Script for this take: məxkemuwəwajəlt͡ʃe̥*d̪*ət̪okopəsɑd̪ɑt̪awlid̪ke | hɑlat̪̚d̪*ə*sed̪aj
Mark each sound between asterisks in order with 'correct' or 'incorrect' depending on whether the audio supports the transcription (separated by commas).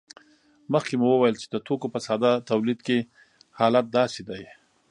correct, incorrect